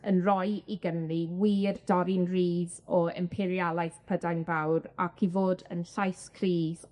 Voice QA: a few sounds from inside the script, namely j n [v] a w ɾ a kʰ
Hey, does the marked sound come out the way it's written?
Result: no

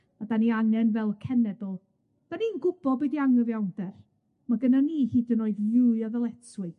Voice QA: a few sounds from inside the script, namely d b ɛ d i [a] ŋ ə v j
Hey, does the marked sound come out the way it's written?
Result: yes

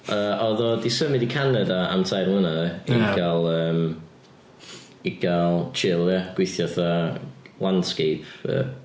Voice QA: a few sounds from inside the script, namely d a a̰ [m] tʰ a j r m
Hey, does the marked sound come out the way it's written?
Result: yes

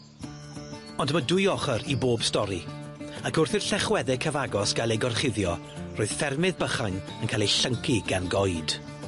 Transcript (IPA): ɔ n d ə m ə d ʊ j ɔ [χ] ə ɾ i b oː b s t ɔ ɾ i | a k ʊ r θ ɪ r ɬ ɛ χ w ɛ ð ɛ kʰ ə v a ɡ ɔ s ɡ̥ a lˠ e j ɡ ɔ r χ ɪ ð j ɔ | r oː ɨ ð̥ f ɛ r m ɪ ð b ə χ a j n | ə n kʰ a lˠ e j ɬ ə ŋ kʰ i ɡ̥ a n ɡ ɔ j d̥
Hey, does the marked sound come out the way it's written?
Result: yes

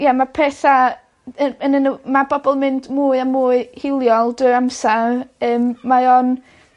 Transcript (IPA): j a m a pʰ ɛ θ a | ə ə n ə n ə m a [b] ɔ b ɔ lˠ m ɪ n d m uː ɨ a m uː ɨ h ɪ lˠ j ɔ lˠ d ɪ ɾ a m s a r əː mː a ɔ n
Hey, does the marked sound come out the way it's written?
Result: yes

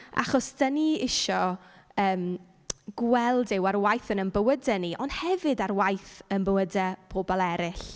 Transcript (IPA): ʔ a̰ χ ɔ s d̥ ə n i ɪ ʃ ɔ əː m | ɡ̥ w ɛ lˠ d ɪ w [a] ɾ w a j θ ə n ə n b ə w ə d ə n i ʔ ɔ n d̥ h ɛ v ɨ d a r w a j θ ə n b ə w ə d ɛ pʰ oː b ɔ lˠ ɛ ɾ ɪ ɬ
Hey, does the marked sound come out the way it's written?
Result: yes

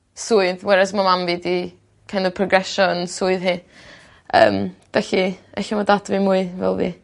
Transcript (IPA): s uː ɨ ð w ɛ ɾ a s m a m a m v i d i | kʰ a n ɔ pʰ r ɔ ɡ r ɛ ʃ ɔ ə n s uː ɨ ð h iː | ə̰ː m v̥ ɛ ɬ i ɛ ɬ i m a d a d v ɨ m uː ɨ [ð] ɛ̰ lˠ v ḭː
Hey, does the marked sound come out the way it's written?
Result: no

